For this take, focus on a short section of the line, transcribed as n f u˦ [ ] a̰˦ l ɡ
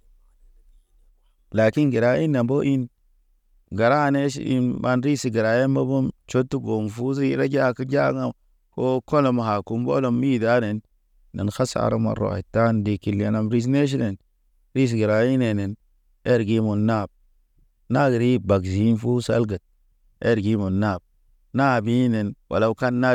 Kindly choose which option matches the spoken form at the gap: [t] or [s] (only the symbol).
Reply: s